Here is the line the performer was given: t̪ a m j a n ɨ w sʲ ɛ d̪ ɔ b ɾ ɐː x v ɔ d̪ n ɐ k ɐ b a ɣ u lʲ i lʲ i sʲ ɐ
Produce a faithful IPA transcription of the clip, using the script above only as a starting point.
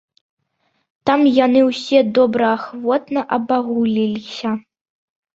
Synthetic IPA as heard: t̪ a m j a n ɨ w sʲ ɛ d̪ ɔ b ɾ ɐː x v ɔ t̪ n ɐ ʔ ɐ b a ɣ u lʲ i lʲ i sʲ ɐ